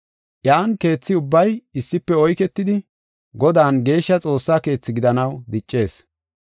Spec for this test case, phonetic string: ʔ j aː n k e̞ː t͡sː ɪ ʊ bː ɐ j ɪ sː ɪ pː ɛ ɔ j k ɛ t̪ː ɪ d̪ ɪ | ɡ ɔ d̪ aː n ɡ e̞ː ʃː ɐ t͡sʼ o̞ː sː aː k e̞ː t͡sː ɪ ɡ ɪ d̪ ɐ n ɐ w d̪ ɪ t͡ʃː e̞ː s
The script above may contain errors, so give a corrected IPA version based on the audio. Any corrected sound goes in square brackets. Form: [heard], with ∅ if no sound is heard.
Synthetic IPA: ʔ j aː n k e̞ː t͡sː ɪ ʊ bː ɐ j ɪ sː ɪ pː ɛ ɔ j k ɛ t̪ː ɪ d̪ ɪ | ɡ ɔ d̪ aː n ɡ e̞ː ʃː ɐ t͡sʼ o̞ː sː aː k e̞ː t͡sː ɪ ɡ ɪ d̪ ɐ n ɐ w d̪ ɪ [t͡ʃʼː] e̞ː s

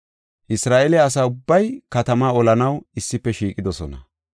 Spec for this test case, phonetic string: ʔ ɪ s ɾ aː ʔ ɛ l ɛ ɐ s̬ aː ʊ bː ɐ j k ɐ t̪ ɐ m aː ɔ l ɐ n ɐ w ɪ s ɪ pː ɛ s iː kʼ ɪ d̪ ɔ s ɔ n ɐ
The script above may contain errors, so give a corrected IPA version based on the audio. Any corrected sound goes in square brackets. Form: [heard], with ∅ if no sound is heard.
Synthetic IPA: ʔ ɪ s ɾ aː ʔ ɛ l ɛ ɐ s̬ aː ʊ bː ɐ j k ɐ t̪ ɐ m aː ɔ l ɐ n ɐ w ɪ [sː] ɪ pː ɛ [ʃ] iː kʼ ɪ d̪ ɔ s ɔ n ɐ

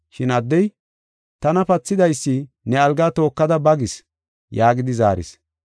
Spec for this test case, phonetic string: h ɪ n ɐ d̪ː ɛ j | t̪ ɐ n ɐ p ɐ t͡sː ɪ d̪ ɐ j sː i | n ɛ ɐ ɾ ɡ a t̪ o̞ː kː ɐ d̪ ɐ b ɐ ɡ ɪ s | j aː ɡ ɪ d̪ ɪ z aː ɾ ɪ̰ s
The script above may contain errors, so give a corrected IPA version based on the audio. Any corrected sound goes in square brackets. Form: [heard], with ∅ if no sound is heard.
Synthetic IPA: [ʃ] ɪ n ɐ d̪ː ɛ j | t̪ ɐ n ɐ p ɐ t͡sː ɪ d̪ ɐ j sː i | n ɛ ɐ [l] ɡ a t̪ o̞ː kː ɐ d̪ ɐ b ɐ ɡ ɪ s | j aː ɡ ɪ d̪ ɪ z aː ɾ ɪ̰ s

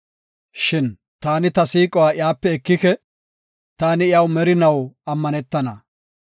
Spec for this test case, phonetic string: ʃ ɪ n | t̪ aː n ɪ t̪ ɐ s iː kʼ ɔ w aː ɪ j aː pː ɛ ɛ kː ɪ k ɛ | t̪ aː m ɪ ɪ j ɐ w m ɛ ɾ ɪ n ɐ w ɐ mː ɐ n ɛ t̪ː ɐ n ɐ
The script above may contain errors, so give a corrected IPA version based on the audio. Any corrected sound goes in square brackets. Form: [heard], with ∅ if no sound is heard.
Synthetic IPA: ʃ ɪ n | t̪ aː n ɪ t̪ ɐ s iː kʼ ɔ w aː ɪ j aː pː ɛ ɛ kː ɪ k ɛ | t̪ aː [n] ɪ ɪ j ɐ w m ɛ ɾ ɪ n ɐ w ɐ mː ɐ n ɛ t̪ː ɐ n ɐ

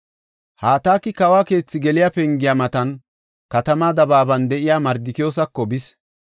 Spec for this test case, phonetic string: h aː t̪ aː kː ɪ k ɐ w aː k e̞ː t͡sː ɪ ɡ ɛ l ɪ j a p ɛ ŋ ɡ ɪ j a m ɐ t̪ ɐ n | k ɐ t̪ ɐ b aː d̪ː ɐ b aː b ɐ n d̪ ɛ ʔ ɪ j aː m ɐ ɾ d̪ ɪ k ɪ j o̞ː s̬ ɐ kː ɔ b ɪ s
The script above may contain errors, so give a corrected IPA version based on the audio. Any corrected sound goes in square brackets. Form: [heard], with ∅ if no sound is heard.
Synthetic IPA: h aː t̪ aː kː ɪ k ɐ w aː k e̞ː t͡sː ɪ ɡ ɛ l ɪ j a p ɛ ŋ ɡ ɪ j a m ɐ t̪ ɐ n | k ɐ t̪ ɐ [m] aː [d̪] ɐ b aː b ɐ n d̪ ɛ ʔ ɪ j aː m ɐ ɾ d̪ ɪ k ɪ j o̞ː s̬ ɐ kː ɔ b ɪ s

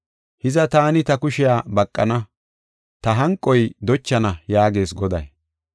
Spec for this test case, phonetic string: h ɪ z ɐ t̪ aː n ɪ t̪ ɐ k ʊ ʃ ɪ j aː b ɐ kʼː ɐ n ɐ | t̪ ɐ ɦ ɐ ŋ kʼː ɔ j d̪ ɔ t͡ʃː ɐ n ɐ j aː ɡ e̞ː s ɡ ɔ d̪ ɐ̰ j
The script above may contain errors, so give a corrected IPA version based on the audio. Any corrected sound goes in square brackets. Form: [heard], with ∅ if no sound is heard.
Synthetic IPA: h ɪ z ɐ t̪ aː n ɪ t̪ ɐ k ʊ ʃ ɪ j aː b ɐ kʼː ɐ n ɐ | t̪ ɐ ɦ ɐ ŋ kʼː ɔ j d̪ ɔ t͡ʃː ɐ n ɐ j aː ɡ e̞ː s ɡ ɔ d̪ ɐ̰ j

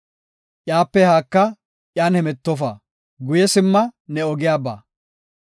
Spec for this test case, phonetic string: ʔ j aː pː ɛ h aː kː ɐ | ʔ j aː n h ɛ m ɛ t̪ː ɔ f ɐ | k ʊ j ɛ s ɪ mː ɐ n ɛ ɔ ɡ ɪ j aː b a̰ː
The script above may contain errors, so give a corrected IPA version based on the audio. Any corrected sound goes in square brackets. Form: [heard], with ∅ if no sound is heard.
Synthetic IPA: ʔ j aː pː ɛ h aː kː ɐ | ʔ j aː n h ɛ m ɛ t̪ː ɔ f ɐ | [ɡ] ʊ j ɛ s ɪ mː ɐ n ɛ ɔ ɡ ɪ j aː b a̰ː

